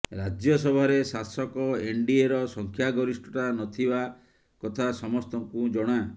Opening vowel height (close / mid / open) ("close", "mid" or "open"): open